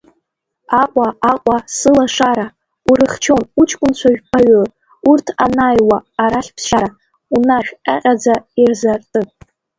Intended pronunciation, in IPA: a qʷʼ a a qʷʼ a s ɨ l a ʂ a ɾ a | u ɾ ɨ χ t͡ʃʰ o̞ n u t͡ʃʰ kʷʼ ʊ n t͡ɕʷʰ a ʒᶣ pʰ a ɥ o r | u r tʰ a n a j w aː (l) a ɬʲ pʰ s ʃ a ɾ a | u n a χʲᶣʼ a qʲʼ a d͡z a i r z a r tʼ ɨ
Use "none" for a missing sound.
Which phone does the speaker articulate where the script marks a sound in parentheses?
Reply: ɾ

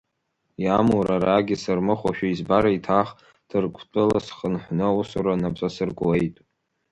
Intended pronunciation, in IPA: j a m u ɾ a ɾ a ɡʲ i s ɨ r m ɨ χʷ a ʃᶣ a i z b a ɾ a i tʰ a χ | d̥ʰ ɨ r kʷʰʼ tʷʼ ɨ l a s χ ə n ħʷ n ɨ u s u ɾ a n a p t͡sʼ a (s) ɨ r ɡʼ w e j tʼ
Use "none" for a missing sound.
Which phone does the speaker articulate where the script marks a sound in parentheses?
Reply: s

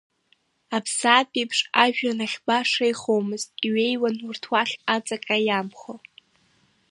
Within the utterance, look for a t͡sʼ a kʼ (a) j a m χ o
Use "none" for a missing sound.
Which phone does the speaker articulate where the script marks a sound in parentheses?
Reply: a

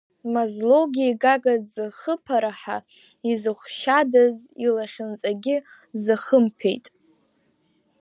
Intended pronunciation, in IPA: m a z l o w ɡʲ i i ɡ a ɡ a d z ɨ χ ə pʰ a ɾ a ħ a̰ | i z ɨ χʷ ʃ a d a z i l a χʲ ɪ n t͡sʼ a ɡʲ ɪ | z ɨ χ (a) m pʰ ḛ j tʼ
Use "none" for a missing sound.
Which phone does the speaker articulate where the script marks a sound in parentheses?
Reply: ə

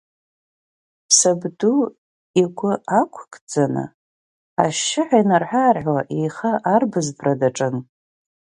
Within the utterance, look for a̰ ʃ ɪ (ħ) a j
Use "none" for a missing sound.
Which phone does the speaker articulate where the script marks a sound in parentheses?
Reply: ħ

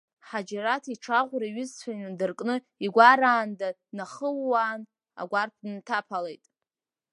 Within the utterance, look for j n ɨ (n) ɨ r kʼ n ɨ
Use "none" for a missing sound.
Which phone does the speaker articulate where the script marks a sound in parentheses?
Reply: d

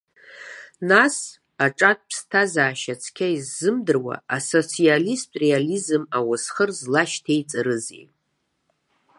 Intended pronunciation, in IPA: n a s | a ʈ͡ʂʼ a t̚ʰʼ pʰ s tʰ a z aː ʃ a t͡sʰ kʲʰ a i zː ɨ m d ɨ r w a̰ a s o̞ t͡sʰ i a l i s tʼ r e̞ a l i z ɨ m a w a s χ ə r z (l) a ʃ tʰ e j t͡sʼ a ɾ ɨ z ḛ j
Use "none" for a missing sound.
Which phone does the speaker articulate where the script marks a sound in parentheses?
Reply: l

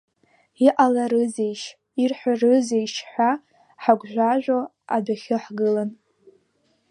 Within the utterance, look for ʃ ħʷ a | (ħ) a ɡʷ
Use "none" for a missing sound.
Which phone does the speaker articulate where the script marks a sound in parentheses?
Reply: ħ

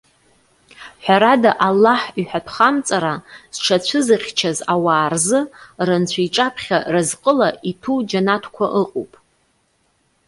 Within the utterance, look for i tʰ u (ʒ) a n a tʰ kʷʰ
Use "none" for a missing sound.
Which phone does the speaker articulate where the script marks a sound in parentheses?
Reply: d͡ʒ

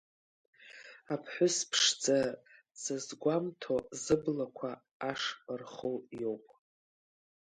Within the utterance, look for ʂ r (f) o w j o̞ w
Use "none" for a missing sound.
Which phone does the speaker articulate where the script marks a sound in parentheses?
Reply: χ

